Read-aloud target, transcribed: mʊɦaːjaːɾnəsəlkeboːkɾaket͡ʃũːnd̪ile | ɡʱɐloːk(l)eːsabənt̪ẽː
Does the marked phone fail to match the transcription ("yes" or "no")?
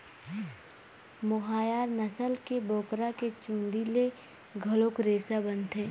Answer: yes